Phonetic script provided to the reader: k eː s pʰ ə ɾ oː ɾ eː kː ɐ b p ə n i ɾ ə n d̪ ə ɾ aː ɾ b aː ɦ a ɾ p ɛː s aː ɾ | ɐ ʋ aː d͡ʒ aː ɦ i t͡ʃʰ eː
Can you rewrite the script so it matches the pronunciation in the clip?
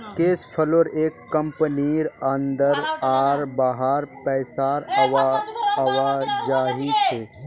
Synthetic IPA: k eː s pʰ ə l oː ɾ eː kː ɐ m p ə n i ɾ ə n d̪ ə ɾ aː ɾ b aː ɦ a ɾ p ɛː s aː ɾ | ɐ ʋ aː d͡ʒ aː ɦ i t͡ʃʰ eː

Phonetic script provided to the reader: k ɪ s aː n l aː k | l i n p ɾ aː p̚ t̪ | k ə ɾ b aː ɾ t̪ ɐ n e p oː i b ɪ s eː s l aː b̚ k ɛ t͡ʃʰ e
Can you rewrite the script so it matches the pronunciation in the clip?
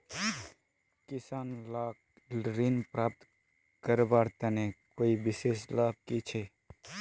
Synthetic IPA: k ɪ s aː n l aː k | ɾ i n p ɾ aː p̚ t̪ | k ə ɾ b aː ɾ t̪ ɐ n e k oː i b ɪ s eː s l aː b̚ k i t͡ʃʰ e

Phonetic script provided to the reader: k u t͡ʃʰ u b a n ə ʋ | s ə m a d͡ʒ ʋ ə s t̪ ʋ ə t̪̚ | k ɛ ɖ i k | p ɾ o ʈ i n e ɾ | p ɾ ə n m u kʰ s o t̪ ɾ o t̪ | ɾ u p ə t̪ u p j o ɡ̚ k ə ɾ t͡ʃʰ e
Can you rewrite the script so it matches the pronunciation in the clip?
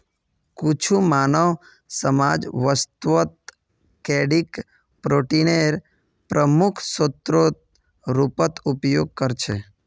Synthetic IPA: k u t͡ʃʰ u m a n ə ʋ | s ə m a d͡ʒ ʋ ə s t̪ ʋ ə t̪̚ | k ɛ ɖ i k | p ɾ o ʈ i n e ɾ | p ɾ ə m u kʰ s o t̪ ɾ o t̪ | ɾ u p ə t̪ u p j o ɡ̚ k ə ɾ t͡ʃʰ e

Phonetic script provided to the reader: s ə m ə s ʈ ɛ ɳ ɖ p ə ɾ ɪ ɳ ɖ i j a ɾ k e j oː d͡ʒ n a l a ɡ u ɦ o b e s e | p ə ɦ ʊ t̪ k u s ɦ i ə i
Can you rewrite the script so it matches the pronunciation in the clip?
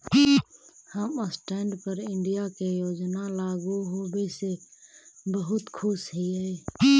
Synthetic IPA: h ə m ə s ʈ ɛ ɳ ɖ p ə ɾ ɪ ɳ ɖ i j a k e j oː d͡ʒ n a l a ɡ u ɦ o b e s e | b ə ɦ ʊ t̪ kʰ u s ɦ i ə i

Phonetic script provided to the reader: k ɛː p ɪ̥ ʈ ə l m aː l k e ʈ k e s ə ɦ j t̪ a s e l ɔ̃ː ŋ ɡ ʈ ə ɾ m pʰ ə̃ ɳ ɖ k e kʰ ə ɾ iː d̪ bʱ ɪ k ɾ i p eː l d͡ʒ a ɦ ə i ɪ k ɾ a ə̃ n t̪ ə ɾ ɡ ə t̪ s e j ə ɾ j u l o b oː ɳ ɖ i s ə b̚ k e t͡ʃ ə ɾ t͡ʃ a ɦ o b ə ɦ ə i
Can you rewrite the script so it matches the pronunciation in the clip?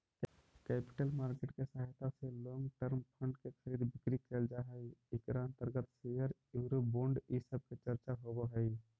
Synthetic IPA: k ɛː p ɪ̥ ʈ ə l m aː ɾ k e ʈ k e s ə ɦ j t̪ a s e l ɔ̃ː ŋ ɡ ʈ ə ɾ m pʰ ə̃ ɳ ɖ k e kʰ ə ɾ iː d̪ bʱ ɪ k ɾ i k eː l d͡ʒ a ɦ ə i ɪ k ɾ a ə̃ n t̪ ə ɾ ɡ ə t̪ s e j ə ɾ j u ɾ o b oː ɳ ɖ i s ə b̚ k e t͡ʃ ə ɾ t͡ʃ a ɦ o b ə ɦ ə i

